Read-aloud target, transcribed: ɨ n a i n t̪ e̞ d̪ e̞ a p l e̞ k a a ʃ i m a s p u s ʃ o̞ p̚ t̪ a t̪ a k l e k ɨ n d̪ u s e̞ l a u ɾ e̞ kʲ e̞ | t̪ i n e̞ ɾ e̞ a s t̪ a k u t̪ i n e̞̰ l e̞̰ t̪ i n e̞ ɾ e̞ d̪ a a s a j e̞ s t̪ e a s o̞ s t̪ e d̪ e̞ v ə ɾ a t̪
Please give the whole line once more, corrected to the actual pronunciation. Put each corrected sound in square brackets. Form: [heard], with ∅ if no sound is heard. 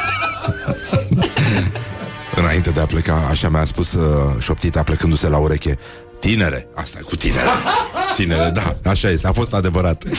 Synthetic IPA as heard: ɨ n a i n t̪ e̞ d̪ e̞ a p l e̞ k a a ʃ [a] m a s p u s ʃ o̞ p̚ t̪ [i] t̪ a [p] l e k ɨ n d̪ u s e̞ l a u ɾ e̞ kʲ e̞ | t̪ i n e̞ ɾ e̞ a s t̪ a k u t̪ i n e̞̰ [ɾ] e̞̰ t̪ i n e̞ ɾ e̞ d̪ a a [ʃ] a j e̞ s t̪ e a [f] o̞ s t̪ [a] d̪ e̞ v ə ɾ a t̪